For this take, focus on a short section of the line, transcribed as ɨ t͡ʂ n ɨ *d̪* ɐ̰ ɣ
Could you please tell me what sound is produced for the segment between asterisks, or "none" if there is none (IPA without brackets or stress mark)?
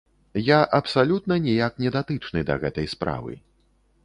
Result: d̪